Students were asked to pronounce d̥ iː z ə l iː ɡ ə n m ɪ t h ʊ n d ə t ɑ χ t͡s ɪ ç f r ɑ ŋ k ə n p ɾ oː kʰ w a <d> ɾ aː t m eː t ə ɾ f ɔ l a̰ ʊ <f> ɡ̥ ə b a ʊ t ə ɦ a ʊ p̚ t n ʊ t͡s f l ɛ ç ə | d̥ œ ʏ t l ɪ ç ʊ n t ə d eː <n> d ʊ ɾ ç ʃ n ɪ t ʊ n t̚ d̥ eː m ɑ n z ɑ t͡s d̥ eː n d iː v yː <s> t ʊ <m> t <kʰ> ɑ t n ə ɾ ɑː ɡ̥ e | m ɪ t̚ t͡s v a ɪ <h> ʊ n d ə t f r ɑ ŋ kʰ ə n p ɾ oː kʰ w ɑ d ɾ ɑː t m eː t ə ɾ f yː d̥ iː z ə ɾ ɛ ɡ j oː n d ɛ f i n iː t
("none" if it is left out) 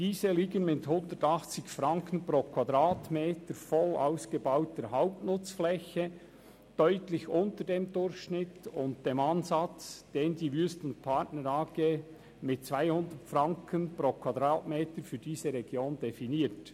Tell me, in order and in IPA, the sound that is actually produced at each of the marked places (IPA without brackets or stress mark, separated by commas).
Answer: d, s, m, s, n, pʰ, h